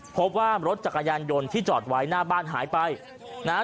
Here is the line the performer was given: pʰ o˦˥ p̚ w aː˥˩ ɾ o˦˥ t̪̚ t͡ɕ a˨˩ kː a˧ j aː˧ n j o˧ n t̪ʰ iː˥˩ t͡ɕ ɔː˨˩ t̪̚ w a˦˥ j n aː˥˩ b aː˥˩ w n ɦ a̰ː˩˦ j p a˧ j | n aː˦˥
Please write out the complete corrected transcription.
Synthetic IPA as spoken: pʰ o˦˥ p̚ w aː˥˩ ɾ o˦˥ t̪̚ t͡ɕ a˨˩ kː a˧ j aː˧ n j o˧ n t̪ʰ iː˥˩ t͡ɕ ɔː˨˩ t̪̚ w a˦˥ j n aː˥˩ b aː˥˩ n ɦ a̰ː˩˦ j p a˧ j | n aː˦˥